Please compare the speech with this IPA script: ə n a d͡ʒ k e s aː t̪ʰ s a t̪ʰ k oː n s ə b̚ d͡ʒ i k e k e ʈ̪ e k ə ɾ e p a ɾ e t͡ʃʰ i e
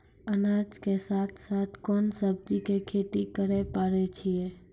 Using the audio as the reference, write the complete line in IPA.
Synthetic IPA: ə n a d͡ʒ k e s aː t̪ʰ s a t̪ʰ k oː n s ə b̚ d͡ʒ i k e kʰ e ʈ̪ i k ə ɾ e p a ɾ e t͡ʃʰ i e